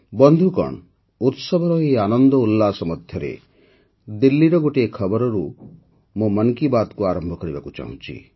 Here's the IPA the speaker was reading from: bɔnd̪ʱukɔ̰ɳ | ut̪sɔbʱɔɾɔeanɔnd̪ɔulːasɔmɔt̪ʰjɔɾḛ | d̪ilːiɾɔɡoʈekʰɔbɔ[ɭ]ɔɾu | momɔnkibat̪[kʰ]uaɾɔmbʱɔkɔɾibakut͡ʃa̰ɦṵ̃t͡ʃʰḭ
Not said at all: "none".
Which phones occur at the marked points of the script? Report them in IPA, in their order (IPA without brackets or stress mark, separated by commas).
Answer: ɾ, k